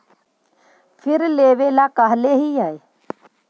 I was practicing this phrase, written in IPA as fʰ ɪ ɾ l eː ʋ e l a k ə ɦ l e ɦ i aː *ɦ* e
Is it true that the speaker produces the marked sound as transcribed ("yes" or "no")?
no